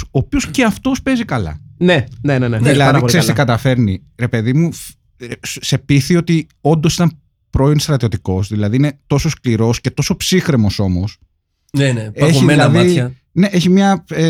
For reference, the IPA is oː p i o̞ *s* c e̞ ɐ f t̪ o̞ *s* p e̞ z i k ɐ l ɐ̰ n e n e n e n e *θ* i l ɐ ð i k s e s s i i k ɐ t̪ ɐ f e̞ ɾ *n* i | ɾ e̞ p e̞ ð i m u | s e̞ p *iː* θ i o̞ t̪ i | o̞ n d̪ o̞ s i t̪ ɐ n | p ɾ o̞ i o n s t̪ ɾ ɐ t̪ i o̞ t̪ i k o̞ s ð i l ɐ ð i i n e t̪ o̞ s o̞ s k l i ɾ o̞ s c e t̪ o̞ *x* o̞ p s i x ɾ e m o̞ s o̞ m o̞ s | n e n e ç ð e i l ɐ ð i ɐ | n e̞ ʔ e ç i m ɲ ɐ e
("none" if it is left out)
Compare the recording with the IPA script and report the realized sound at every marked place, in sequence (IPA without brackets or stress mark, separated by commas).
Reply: s, s, ð, n, i, s